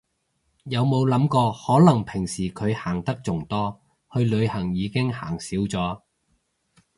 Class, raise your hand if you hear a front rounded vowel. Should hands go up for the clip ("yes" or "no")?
no